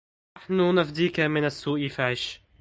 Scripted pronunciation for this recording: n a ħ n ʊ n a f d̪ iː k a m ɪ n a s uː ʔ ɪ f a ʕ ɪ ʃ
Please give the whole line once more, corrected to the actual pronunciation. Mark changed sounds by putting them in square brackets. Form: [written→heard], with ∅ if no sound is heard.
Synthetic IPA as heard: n a ħ n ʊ n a f d̪ iː k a m ɪ n a [s→sː] uː ʔ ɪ f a ʕ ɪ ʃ